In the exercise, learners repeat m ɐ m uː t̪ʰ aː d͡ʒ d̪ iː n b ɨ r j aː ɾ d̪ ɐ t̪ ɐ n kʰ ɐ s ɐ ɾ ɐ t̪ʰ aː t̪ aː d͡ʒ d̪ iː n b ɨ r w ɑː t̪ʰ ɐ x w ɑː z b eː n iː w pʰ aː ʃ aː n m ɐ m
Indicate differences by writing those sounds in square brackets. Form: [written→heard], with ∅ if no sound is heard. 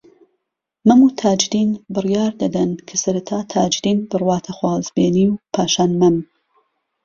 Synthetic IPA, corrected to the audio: m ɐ m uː t̪ʰ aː d͡ʒ d̪ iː n b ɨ r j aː ɾ d̪ ɐ [t̪→d̪] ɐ n kʰ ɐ s ɐ ɾ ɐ t̪ʰ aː [t̪→t̪ʰ] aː d͡ʒ d̪ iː n b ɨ r w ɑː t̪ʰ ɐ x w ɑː z b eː n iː w pʰ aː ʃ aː n m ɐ m